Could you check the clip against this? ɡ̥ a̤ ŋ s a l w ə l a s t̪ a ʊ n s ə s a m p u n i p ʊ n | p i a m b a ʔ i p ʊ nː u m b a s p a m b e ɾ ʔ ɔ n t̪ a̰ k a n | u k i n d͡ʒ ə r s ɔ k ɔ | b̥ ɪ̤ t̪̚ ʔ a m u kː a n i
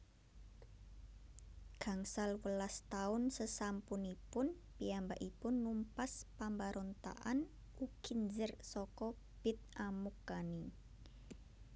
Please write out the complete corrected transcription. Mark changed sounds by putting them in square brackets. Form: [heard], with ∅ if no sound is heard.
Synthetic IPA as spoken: ɡ̥ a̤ ŋ s a l w ə l a s t̪ a ʊ n s ə s a m p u n i p ʊ n | p i a m b a ʔ i p ʊ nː u m [p] a s p a m b [a] ɾ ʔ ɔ n t̪ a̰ [ʔ] a n | u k i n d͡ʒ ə r s ɔ k ɔ | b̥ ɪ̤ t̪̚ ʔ a m u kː a n i

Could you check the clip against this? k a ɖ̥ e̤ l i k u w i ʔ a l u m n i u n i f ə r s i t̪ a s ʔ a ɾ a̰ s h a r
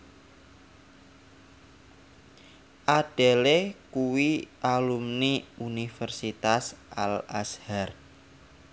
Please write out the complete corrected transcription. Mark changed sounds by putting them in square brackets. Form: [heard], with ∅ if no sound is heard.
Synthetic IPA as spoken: [ʔ] a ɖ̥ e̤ l [e] k u w i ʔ a l u m n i u n i f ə r s i t̪ a s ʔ a [l] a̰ s h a r

